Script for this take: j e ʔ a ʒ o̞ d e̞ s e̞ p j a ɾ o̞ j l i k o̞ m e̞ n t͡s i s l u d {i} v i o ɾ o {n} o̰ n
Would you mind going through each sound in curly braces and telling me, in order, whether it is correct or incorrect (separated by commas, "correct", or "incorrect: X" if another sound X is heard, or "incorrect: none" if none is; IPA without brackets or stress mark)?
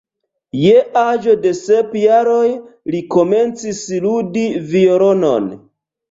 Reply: correct, correct